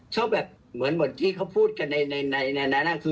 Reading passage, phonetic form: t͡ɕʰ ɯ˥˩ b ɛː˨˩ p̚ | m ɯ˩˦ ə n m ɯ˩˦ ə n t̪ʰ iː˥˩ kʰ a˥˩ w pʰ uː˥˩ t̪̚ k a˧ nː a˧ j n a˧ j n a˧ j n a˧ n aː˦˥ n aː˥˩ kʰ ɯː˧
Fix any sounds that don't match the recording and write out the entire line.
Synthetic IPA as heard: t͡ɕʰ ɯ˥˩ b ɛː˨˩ p̚ | m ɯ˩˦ ə n m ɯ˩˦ ə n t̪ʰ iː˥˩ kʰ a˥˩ w pʰ uː˥˩ t̪̚ k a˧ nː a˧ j n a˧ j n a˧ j n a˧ n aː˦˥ n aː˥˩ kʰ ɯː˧